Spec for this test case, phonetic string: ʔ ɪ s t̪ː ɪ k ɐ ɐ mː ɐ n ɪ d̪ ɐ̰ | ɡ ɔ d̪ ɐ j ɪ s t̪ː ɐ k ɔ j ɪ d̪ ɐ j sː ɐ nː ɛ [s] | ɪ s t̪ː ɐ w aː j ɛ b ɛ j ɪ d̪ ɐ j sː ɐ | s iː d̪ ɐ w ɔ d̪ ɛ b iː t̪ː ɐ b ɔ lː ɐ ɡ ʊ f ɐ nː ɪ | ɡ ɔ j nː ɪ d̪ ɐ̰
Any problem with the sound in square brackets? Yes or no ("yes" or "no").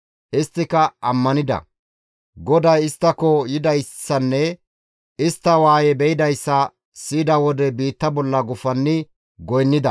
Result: yes